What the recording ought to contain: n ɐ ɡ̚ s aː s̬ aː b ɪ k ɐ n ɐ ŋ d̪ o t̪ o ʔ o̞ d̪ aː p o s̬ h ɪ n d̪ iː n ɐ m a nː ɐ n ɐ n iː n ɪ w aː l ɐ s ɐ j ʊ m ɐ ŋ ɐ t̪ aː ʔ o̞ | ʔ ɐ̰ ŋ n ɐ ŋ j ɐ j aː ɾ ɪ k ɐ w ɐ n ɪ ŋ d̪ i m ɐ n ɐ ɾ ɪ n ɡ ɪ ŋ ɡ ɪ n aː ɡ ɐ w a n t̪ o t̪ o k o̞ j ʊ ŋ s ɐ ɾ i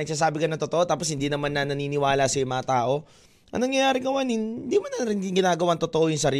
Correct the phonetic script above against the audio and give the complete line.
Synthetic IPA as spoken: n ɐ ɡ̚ s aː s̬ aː b ɪ k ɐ n ɐ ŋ t̪ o t̪ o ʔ o̞ t̪ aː p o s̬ h ɪ n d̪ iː n ɐ m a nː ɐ n ɐ n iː n ɪ w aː l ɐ s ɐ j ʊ m ɐ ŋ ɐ t̪ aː ʔ o̞ | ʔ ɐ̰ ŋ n ɐ ŋ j ɐ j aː ɾ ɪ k ɐ w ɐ n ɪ n d̪ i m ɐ n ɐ ɾ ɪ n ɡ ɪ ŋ ɡ ɪ n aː ɡ ɐ w a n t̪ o t̪ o ʔ o̞ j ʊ ŋ s ɐ ɾ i